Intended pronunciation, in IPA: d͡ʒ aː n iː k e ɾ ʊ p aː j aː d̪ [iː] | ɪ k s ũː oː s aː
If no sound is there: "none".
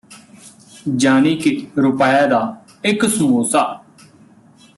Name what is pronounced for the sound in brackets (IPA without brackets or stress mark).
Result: aː